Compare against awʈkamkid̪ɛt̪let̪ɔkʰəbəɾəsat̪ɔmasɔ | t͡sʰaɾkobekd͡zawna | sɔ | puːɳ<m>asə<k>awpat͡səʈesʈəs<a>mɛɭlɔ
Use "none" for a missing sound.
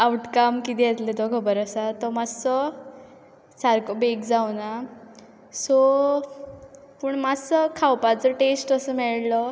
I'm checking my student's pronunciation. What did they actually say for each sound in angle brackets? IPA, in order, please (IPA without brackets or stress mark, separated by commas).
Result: m, kʰ, ə